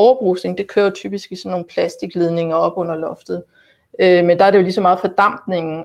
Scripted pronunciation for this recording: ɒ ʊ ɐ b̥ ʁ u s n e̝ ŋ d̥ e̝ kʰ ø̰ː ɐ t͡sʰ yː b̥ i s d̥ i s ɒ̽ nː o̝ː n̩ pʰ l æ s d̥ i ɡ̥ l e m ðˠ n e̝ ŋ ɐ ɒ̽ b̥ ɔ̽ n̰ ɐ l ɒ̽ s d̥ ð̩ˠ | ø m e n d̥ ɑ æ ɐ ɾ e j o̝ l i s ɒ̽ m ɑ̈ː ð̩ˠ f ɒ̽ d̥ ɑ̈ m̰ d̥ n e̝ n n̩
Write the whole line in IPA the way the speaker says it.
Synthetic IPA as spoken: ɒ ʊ ɐ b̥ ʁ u s n e̝ ŋ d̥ e̝ kʰ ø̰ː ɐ t͡sʰ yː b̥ i s ɡ̥ i s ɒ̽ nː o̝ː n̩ pʰ l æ s d̥ i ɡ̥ l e ðˠ n e̝ ŋ ɐ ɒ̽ b̥ ɔ̽ n̰ ɐ l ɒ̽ f d̥ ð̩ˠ | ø m e n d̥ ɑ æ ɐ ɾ e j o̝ l i s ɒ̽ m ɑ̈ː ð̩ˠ f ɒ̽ d̥ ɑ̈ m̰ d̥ n e̝ ŋ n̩